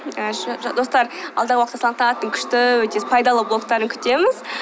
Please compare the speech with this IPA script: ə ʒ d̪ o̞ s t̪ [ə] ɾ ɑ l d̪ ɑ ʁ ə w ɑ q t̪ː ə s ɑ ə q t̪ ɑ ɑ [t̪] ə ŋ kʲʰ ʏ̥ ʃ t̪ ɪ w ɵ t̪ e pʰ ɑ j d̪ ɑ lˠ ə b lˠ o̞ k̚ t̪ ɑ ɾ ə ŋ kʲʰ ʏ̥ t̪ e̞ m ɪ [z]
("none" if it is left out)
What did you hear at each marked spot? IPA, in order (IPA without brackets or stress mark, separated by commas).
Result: ɑ, t̪, z